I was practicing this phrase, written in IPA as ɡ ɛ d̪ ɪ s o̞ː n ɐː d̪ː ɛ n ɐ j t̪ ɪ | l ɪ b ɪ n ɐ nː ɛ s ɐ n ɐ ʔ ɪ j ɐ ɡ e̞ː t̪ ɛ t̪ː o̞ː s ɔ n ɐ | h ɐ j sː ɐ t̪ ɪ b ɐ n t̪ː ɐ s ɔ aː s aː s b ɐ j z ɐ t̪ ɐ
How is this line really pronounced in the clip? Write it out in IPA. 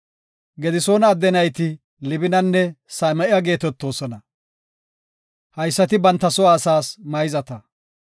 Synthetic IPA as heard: ɡ ɛ d̪ ɪ s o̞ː n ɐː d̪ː ɛ n ɐ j t̪ ɪ | l ɪ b ɪ n ɐ nː ɛ s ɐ m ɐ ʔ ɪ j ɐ ɡ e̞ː t̪ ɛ t̪ː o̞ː s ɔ n ɐ | h ɐ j sː ɐ t̪ ɪ b ɐ n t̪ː ɐ s ɔ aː s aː s m ɐ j z ɐ t̪ ɐ

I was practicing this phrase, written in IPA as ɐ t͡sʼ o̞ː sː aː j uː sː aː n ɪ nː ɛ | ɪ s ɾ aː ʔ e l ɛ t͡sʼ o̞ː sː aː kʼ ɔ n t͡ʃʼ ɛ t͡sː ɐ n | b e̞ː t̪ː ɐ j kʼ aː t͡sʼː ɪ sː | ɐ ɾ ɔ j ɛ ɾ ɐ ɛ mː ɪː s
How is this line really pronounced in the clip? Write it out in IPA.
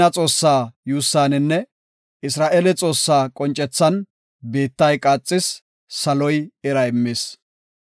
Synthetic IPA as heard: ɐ t͡sʼ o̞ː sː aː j uː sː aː n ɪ nː ɛ | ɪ s ɾ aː ʔ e l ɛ t͡sʼ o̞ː sː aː kʼ ɔ n t͡ʃʼ ɛ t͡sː ɐ n | b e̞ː t̪ː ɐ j kʼ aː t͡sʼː ɪ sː | ɐ l ɔ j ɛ ɾ ɐ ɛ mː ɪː s

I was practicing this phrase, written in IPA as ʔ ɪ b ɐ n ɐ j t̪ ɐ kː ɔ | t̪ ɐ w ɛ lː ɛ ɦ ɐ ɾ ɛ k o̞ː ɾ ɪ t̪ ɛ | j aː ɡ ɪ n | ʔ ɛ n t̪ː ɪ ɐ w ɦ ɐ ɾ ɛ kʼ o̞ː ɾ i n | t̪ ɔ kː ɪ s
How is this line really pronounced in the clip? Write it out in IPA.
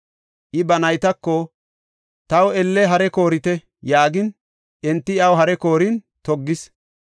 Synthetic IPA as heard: ʔ ɪ b ɐ n ɐ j t̪ ɐ kː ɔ | t̪ ɐ w ɛ lː ɛ ɦ ɐ ɾ ɛ k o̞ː ɾ ɪ t̪ ɛ | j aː ɡ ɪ n | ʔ ɛ n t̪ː ɪ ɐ w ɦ ɐ ɾ ɛ k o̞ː ɾ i n | t̪ ɔ ɡː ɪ s

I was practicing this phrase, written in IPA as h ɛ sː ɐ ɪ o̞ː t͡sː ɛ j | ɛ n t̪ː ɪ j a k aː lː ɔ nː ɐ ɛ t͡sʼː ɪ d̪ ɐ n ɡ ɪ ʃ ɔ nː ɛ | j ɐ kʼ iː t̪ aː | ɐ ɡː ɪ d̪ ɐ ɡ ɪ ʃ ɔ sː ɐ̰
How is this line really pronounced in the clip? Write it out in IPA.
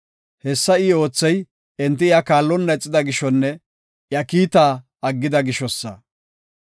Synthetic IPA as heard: h ɛ sː ɐ ɪ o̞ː t͡sː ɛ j | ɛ n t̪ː ɪ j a k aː lː ɔ nː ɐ ɛ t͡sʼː ɪ d̪ ɐ ɡ ɪ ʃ ɔ nː ɛ | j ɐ k iː t̪ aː | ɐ ɡː ɪ d̪ ɐ ɡ ɪ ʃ ɔ sː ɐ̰

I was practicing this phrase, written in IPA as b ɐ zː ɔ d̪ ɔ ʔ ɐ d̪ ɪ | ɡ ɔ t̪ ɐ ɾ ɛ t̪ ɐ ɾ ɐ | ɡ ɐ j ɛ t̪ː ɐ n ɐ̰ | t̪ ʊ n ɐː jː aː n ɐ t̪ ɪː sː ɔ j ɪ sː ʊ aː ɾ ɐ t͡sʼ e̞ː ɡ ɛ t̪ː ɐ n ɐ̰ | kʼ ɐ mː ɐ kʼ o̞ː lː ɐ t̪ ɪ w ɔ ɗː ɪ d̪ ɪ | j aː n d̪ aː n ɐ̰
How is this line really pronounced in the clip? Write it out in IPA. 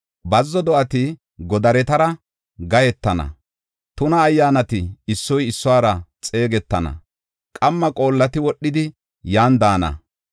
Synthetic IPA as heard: b ɐ zː ɔ d̪ ɔ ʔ ɐ t̪ ɪ | ɡ ɔ d̪ ɐ ɾ ɛ t̪ ɐ ɾ ɐ | ɡ ɐ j ɛ t̪ː ɐ n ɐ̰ | t̪ ʊ n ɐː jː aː n ɐ t̪ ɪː sː ɔ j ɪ sː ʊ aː ɾ ɐ t͡sʼ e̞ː ɡ ɛ t̪ː ɐ n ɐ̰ | kʼ ɐ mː ɐ kʼ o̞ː lː ɐ t̪ ɪ w ɔ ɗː ɪ d̪ ɪ | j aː n d̪ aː n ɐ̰

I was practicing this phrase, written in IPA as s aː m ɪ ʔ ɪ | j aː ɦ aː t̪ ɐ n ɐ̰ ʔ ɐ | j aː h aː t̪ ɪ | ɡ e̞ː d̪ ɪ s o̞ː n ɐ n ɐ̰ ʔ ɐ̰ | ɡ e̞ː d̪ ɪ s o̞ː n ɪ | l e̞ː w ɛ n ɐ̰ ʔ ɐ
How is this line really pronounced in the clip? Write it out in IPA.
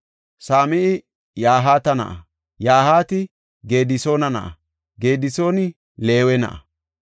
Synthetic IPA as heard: s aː m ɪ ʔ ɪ | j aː ɦ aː t̪ ɐ n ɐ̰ ʔ ɐ | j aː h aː t̪ ɪ | ɡ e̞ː d̪ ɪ s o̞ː n ɐ n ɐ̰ ʔ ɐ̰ | ɡ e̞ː d̪ ɪ s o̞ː n ɪ | l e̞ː w ɛ n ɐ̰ ʔ ɐ

